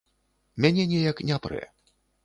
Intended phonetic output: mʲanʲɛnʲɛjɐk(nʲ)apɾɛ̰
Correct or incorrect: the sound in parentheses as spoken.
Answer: correct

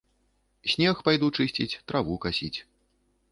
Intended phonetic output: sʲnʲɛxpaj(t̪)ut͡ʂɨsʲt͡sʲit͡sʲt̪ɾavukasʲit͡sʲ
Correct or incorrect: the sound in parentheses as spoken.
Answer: incorrect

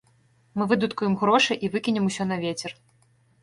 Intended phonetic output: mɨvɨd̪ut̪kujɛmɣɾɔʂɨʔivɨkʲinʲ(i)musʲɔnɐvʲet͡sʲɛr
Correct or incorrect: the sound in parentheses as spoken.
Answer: incorrect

